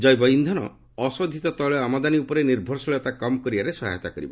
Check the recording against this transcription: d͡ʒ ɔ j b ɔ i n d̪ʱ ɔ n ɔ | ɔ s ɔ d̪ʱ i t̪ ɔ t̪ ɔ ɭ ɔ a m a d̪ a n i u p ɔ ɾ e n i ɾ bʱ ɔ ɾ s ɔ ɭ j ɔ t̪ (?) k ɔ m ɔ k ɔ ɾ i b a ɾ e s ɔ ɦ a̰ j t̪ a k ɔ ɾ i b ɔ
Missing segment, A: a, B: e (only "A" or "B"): A